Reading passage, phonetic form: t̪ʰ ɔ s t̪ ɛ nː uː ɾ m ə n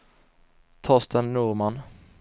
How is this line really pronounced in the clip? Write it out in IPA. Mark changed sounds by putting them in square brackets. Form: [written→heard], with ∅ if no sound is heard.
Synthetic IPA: t̪ʰ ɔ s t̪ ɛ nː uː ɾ m [ə→a] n